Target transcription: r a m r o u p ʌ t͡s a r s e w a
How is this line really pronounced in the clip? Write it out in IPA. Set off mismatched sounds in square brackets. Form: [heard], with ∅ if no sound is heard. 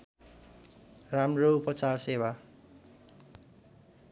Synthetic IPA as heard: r a m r o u p ʌ t͡s a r s e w a